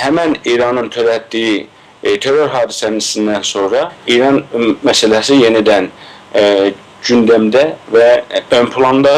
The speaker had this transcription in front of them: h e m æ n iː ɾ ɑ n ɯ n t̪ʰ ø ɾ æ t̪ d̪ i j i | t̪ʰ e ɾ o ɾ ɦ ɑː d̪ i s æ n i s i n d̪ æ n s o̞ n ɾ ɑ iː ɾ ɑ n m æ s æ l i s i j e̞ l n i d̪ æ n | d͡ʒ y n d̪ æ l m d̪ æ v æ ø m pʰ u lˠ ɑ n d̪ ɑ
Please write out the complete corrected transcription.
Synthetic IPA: h æ m æ n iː ɾ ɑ n ɯ n t̪ʰ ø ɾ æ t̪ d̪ i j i | t̪ʰ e ɾ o ɾ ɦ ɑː d̪ i s æ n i s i n d̪ æ n s o̞ n ɾ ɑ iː ɾ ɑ n m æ s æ l æ s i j e̞ n i d̪ æ n | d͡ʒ y n d̪ æ m d̪ æ v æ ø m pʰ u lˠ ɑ n d̪ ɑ